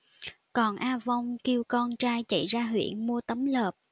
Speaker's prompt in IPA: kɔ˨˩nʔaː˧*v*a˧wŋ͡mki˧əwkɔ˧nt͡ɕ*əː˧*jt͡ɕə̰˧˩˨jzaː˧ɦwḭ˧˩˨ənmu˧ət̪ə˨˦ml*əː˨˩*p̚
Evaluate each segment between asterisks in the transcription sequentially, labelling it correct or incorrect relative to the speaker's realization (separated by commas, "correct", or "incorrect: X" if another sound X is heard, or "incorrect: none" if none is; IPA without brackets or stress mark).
correct, incorrect: aː˧, correct